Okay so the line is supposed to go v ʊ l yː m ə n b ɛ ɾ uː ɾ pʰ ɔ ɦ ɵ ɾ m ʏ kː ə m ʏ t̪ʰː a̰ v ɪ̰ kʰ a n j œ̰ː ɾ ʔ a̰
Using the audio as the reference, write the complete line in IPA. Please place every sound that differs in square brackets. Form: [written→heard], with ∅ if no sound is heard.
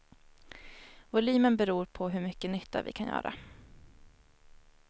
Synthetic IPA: v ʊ l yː m ə n b ɛ ɾ uː ɾ pʰ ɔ ɦ ɵ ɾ m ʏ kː ə [m→n] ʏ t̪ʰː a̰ v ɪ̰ kʰ a n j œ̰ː ɾ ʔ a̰